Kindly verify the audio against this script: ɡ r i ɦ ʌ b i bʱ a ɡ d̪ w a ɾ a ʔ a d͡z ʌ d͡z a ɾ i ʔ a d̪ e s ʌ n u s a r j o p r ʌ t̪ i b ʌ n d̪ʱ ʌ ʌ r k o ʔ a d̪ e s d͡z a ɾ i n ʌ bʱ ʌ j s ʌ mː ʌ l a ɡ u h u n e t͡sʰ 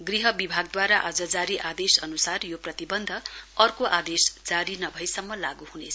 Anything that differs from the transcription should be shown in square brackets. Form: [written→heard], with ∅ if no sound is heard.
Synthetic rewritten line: ɡ r i ɦ ʌ b i bʱ a ɡ d̪ w a ɾ a ʔ a d͡z ʌ d͡z a ɾ i ʔ a d̪ e s ʌ n u s a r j o p r ʌ t̪ i b ʌ n d̪ʱ ʌ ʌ r k o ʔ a d̪ e s d͡z a ɾ i n ʌ bʱ ʌ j s ʌ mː ʌ l a ɡ u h u n e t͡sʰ